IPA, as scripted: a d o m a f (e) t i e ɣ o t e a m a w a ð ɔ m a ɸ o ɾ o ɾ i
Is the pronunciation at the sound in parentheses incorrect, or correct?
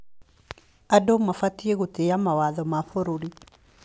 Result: incorrect